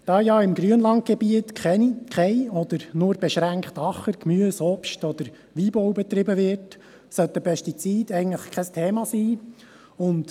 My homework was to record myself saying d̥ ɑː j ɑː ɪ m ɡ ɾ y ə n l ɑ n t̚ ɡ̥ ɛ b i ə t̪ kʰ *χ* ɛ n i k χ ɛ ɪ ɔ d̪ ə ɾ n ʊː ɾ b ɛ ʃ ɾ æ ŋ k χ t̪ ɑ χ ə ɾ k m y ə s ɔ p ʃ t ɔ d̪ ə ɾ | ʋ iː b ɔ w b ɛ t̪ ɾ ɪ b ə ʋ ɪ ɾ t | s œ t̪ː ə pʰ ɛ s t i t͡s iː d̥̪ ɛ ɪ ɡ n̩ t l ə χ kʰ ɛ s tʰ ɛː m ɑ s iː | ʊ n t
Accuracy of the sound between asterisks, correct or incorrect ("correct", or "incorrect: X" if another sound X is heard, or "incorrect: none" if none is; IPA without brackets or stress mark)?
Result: correct